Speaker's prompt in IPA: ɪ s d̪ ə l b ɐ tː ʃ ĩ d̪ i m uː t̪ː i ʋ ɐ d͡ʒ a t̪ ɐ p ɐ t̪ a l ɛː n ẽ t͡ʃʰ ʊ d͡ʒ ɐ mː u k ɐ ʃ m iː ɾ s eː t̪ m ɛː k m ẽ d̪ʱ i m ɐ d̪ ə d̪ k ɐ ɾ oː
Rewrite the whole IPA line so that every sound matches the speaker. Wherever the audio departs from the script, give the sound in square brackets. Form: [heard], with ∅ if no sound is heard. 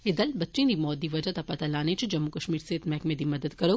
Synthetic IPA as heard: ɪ [∅] d̪ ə l b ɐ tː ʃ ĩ d̪ i m [ɔː] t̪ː i ʋ ɐ d͡ʒ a t̪ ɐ p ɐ t̪ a l [aː] n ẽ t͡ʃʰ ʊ d͡ʒ ɐ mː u k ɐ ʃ m iː ɾ s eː t̪ m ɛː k m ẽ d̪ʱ i m ɐ d̪ ə d̪ k ɐ ɾ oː

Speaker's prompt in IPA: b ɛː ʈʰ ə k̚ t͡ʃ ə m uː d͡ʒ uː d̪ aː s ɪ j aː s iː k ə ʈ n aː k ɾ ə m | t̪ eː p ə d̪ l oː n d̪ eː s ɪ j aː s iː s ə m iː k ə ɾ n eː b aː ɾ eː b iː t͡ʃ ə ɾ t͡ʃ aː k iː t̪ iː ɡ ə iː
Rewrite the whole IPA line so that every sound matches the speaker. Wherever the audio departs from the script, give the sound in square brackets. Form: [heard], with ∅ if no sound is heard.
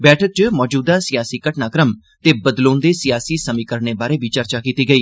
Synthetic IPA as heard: b ɛː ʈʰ ə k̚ t͡ʃ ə m [ɔː] d͡ʒ uː d̪ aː s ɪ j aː s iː k ə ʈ n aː k ɾ ə m | t̪ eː [b] ə d̪ l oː n d̪ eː s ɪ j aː s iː s ə m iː k ə ɾ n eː b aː ɾ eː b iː t͡ʃ ə ɾ t͡ʃ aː k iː t̪ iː ɡ ə iː

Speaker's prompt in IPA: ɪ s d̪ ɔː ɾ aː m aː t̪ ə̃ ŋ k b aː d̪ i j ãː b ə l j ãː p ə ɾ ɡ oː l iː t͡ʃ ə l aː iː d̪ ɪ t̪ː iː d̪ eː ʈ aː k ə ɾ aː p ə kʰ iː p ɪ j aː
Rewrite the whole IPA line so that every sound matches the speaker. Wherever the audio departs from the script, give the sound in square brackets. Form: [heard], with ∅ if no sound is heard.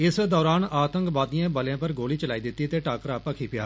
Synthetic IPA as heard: ɪ s d̪ ɔː ɾ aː [n] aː t̪ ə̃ ŋ k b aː d̪ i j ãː b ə l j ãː p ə ɾ ɡ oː l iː t͡ʃ ə l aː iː d̪ ɪ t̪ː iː [t̪] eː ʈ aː k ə ɾ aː p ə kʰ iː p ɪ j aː

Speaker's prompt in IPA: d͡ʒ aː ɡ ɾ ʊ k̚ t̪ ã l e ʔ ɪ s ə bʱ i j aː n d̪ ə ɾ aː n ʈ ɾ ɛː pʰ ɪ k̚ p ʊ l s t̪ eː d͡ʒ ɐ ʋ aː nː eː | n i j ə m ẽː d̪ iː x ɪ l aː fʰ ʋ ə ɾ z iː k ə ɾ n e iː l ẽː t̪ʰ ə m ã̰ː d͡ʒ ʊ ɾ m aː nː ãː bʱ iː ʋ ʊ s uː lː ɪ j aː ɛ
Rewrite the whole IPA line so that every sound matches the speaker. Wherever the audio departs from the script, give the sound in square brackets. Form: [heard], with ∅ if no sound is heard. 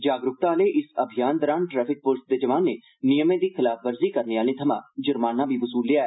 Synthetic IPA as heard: d͡ʒ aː ɡ ɾ ʊ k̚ t̪ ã l e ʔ ɪ s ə bʱ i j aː n d̪ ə ɾ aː n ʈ ɾ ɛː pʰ ɪ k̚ p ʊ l s [d̪] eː d͡ʒ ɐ ʋ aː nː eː | n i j ə m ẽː d̪ iː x ɪ l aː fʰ ʋ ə ɾ z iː k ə ɾ n e [aː] l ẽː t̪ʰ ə m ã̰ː d͡ʒ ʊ ɾ m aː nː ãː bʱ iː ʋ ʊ s uː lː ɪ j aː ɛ

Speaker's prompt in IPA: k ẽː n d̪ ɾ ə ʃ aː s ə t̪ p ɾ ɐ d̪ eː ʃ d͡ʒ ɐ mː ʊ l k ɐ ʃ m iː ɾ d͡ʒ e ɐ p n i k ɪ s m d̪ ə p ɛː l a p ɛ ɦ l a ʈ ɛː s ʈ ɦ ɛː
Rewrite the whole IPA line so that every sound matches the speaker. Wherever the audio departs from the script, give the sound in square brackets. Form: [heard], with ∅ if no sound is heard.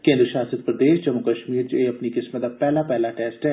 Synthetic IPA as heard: k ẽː n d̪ ɾ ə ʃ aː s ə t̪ p ɾ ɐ d̪ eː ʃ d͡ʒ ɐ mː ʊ [∅] k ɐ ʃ m iː ɾ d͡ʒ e ɐ p n i k ɪ s m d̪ [a] p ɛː l a p ɛ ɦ l a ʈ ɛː s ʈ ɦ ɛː

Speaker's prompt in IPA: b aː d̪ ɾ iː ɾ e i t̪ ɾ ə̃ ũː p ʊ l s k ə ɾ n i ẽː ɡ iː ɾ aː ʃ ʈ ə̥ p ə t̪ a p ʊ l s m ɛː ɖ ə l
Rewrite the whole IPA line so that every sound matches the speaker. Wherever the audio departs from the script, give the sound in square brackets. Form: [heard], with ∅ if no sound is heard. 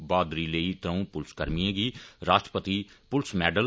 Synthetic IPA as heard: b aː d̪ ɾ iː [l] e i t̪ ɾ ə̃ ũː p ʊ l s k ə ɾ [m] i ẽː ɡ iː ɾ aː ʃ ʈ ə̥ p ə t̪ [i] p ʊ l s m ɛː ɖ ə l

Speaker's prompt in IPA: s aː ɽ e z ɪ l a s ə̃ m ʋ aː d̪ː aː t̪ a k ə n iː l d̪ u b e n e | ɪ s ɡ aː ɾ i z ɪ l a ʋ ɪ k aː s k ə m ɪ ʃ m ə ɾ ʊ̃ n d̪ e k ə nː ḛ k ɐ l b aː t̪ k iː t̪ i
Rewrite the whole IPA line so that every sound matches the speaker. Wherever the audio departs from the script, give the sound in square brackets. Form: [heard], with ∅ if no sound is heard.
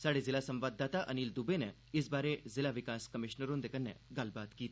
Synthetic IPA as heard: s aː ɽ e z ɪ l a s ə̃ m ʋ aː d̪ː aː t̪ a [ʔ] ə n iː l d̪ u b e n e | ɪ s [b] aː ɾ [e] z ɪ l a ʋ ɪ k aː s k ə m ɪ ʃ [n] ə ɾ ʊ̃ n d̪ e k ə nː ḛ [ɡ] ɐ l b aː t̪ k iː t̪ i

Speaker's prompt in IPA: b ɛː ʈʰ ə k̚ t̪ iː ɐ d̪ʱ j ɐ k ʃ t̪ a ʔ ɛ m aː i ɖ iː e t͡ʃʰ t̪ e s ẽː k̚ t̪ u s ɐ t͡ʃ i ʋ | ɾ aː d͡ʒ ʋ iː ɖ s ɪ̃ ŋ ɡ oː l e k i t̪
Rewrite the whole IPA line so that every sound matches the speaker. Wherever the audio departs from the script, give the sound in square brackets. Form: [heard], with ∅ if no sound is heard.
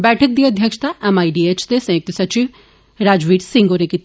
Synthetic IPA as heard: b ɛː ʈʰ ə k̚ [d̪] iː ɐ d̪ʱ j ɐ k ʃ t̪ a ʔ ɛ m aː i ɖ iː e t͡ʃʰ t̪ e s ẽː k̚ t̪ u s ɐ t͡ʃ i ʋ | ɾ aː d͡ʒ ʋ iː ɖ s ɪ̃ ŋ ɡ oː [ɾ] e k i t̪

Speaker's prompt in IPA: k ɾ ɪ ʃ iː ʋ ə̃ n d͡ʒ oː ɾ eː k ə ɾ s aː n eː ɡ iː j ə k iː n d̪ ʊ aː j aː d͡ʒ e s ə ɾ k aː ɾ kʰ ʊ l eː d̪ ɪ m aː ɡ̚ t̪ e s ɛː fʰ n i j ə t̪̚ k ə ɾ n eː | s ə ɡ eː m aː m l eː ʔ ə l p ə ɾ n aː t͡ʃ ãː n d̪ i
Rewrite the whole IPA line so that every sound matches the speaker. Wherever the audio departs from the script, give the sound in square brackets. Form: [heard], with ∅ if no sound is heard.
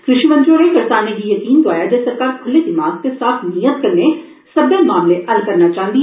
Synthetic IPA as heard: k ɾ ɪ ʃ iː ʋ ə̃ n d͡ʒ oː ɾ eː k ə ɾ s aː n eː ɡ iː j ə k iː n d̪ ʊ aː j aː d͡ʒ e s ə ɾ k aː ɾ kʰ ʊ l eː d̪ ɪ m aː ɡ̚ t̪ e s [aː] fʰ n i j ə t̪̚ k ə ɾ n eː | s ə [b] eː m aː m l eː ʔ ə l [k] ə ɾ n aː t͡ʃ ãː n d̪ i

